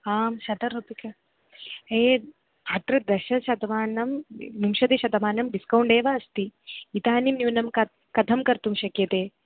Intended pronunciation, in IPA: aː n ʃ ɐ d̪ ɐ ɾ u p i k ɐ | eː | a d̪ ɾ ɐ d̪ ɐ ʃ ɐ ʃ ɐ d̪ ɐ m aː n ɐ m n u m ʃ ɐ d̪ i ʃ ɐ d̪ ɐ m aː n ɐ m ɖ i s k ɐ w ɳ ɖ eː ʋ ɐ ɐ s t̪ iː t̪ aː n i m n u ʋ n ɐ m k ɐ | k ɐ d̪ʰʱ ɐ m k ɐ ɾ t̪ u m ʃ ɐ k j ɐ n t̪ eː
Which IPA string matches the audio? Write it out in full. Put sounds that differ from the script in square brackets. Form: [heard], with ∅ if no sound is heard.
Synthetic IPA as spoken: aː [m] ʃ ɐ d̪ ɐ ɾ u p i k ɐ | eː | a [t̪] ɾ ɐ d̪ ɐ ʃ ɐ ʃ ɐ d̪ ɐ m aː n ɐ m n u m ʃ ɐ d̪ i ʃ ɐ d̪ ɐ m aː n ɐ m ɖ i s k ɐ w ɳ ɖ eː ʋ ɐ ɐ s t̪ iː t̪ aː n i m n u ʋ n ɐ m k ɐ | k ɐ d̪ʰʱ ɐ m k ɐ ɾ t̪ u m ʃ ɐ k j ɐ [∅] t̪ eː